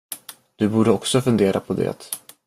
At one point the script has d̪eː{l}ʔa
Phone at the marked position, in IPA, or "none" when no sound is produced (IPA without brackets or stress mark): ɾ